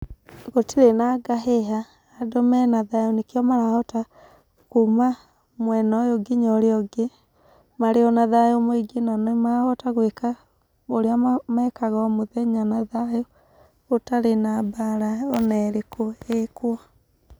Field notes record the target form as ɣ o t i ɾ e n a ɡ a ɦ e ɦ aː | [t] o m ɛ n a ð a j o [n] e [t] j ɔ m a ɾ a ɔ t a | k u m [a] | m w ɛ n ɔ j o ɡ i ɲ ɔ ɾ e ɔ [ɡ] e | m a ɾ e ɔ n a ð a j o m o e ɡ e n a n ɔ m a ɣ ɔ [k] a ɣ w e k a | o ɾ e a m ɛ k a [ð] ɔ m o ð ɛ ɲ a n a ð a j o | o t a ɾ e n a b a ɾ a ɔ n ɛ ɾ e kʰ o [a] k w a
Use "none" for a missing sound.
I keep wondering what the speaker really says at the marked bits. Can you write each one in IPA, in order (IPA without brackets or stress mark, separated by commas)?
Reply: d, n, k, a, ɡ, t, ɣ, e